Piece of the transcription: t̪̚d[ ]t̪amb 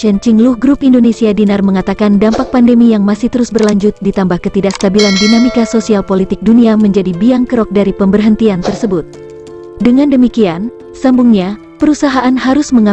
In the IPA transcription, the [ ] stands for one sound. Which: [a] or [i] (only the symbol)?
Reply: i